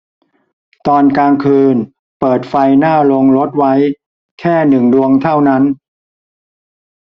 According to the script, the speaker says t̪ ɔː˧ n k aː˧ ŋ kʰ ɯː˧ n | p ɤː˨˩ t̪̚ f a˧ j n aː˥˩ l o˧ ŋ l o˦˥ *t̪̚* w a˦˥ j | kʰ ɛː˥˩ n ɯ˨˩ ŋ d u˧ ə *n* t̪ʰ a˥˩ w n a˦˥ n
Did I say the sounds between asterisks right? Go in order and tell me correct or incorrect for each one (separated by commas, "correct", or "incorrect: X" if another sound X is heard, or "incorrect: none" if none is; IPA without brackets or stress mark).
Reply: correct, incorrect: ŋ